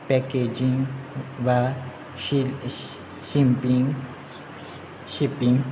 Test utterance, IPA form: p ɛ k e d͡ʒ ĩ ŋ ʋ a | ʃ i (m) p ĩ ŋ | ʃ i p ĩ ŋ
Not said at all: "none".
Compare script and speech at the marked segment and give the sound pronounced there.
m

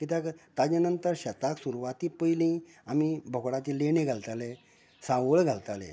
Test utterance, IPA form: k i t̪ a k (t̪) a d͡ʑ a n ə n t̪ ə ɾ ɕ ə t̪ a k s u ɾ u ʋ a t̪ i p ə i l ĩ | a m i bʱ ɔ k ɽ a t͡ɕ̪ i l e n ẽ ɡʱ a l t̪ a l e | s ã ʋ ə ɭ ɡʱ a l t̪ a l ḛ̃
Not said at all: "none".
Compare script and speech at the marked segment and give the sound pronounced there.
t̪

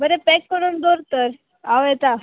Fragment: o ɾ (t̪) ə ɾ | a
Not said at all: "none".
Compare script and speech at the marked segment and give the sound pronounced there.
t̪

